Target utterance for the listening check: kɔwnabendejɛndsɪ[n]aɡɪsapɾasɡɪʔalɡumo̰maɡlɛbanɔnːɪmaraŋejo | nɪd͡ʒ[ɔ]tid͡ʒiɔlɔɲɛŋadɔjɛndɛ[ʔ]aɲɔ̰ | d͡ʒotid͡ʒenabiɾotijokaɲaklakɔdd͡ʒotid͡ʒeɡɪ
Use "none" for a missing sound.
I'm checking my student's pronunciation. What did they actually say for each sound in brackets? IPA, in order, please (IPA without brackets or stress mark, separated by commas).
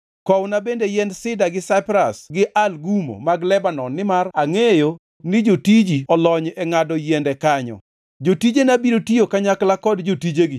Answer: d, o, k